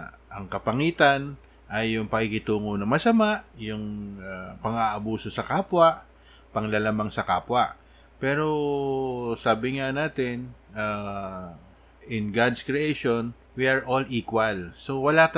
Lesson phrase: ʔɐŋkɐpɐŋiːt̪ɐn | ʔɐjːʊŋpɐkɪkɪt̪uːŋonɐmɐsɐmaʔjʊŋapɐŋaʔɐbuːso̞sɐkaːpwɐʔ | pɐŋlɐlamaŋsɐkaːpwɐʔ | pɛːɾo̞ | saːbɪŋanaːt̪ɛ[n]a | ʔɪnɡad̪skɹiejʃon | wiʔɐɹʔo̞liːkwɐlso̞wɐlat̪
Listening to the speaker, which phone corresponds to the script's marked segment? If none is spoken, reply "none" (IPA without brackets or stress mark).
n